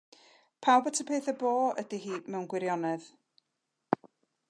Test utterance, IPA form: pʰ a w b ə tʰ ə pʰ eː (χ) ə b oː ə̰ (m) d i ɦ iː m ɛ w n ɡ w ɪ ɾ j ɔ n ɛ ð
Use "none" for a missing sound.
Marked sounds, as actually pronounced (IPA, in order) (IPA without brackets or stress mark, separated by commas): θ, none